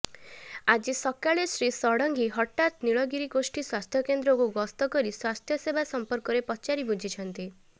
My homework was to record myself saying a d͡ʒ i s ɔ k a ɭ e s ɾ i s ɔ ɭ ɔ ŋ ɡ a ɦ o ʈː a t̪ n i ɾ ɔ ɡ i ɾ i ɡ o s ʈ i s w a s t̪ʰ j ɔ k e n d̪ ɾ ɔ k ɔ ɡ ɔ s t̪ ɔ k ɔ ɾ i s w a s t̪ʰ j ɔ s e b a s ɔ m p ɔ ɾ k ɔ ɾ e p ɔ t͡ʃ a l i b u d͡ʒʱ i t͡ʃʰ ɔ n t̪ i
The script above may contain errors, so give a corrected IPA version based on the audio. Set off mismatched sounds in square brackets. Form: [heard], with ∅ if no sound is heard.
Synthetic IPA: a d͡ʒ i s ɔ k a ɭ e s ɾ i s ɔ [ɽ] ɔ ŋ ɡ [i] ɦ [ɔ] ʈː a t̪ n i [ɭ] ɔ ɡ i ɾ i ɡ o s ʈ i s w a s t̪ʰ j ɔ k e n d̪ ɾ ɔ k [u] ɡ ɔ s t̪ ɔ k ɔ ɾ i s w a s t̪ʰ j ɔ s e b a s ɔ m p ɔ ɾ k ɔ ɾ e p ɔ t͡ʃ a [ɾ] i b u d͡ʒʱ i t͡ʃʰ ɔ n t̪ i

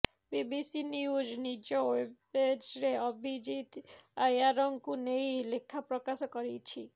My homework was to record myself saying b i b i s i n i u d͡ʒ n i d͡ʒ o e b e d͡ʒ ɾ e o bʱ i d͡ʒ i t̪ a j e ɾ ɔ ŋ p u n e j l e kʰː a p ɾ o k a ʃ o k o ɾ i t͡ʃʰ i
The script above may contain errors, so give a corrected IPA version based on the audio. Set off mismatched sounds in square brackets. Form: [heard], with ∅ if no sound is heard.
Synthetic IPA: b i b i s i n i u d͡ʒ n i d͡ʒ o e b e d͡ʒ ɾ e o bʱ i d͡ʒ i t̪ a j [a] ɾ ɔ ŋ [k] u n e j l e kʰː a p ɾ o k a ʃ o k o ɾ i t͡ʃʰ i

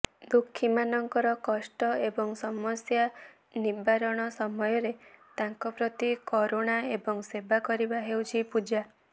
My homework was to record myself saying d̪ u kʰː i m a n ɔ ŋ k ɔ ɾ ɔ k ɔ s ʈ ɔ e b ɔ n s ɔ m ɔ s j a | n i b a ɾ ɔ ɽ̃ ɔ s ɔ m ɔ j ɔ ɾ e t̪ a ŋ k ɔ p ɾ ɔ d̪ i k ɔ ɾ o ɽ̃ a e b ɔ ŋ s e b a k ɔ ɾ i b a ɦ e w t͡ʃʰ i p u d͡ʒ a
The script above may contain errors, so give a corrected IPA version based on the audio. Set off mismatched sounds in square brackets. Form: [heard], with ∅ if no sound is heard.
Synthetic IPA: d̪ u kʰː i m a n ɔ ŋ k ɔ ɾ ɔ k ɔ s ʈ ɔ e b ɔ [ŋ] s ɔ m ɔ s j a | n i b a ɾ ɔ ɽ̃ ɔ s ɔ m ɔ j ɔ ɾ e t̪ a ŋ k ɔ p ɾ ɔ [t̪] i k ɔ ɾ o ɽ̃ a e b ɔ ŋ s e b a k ɔ ɾ i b a ɦ e w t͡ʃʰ i p u d͡ʒ a

